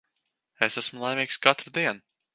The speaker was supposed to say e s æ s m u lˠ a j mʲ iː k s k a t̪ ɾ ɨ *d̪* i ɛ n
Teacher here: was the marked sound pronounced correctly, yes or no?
yes